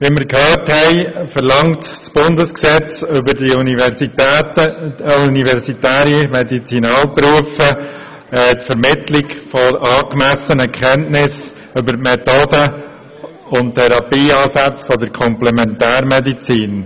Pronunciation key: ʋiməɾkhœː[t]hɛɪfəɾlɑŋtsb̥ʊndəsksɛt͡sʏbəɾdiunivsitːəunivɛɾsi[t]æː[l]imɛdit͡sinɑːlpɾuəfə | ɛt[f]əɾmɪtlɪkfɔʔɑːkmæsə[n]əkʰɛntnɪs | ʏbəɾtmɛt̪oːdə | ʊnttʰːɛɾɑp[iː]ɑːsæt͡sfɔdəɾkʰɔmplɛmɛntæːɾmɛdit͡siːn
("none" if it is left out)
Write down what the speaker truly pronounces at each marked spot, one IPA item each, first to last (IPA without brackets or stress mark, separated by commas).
t, t, ɾ, f, n, iː